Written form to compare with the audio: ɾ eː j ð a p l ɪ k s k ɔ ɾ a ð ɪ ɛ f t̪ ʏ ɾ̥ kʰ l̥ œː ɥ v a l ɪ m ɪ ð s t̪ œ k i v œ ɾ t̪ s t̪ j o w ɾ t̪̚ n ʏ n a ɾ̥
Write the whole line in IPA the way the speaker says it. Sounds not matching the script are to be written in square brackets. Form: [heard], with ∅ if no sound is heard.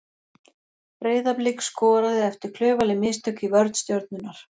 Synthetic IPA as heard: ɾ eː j ð a p l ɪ k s k [ɔː] ɾ a ð ɪ ɛ f t̪ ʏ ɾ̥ kʰ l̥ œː ɥ v a l ɪ m ɪ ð s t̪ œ k i v œ ɾ t̪ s t̪ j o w ɾ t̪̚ n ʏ n a ɾ̥